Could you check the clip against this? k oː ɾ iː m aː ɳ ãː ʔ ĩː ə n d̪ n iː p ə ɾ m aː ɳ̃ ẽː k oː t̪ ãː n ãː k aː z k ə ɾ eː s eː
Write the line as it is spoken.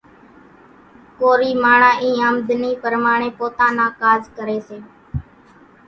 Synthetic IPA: k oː ɾ iː m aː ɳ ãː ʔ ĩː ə m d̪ n iː p ə ɾ m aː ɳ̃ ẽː p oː t̪ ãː n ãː k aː z k ə ɾ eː s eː